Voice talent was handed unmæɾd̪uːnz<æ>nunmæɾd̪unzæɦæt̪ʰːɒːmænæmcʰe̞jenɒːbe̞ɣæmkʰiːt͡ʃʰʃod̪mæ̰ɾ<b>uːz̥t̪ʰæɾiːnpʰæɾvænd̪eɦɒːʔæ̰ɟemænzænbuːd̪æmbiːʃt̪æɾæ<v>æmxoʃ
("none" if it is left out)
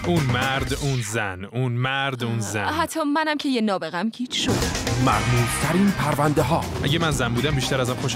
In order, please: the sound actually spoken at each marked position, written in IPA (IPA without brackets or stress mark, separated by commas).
æ, m, z